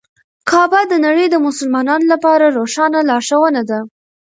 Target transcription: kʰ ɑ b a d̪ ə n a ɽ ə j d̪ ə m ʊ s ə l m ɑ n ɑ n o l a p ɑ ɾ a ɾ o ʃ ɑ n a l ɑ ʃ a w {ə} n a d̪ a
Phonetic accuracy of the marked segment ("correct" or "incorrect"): correct